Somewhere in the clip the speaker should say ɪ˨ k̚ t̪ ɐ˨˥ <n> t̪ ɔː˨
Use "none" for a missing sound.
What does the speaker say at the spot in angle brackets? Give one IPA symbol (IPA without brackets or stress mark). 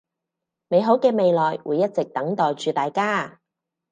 ŋ